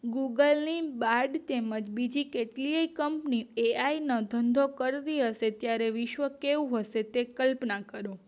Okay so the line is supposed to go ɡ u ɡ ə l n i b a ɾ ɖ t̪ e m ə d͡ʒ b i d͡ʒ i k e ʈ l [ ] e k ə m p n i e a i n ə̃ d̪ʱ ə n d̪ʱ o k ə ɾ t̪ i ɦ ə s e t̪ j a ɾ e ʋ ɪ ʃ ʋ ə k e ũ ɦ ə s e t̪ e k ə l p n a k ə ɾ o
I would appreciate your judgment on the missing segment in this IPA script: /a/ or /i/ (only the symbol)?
i